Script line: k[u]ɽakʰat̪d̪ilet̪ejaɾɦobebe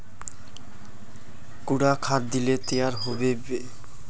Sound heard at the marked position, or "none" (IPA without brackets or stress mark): u